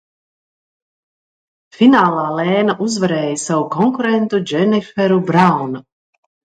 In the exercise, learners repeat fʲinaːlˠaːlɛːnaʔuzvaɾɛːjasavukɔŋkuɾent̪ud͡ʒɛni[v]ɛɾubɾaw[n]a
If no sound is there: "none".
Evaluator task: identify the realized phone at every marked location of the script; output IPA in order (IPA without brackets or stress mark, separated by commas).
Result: f, n